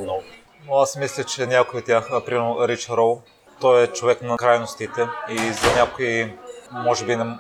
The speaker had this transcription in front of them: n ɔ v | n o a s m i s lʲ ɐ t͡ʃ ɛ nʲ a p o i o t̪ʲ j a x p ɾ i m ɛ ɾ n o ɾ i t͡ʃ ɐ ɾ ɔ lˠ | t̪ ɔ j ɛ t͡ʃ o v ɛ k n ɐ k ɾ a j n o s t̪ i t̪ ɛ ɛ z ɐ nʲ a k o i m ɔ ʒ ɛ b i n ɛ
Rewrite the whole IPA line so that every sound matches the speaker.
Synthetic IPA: n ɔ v | n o a s m i s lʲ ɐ t͡ʃ ɛ nʲ a k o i o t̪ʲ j a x p ɾ i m ɛ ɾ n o ɾ i t͡ʃ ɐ ɾ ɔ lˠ | t̪ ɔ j ɛ t͡ʃ o v ɛ k n ɐ k ɾ a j n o s t̪ i t̪ ɛ i z ɐ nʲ a k o i m ɔ ʒ ɛ b i n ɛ